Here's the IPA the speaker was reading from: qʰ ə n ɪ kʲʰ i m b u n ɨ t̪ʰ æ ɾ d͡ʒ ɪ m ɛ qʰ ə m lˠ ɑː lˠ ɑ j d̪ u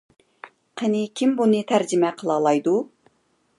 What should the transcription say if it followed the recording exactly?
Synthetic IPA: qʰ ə n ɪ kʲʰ i m b u n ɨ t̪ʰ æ ɾ d͡ʒ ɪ m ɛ qʰ ə lˠ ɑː lˠ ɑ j d̪ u